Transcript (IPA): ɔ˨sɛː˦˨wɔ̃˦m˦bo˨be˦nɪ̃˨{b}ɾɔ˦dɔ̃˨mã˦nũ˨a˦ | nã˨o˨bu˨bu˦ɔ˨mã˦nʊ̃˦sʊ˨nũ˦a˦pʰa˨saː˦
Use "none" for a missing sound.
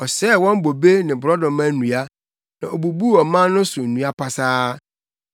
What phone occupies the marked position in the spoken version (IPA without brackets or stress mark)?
b